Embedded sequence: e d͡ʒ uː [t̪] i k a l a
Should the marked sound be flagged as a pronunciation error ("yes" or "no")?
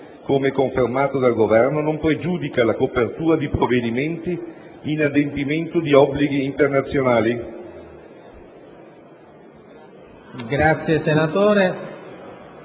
yes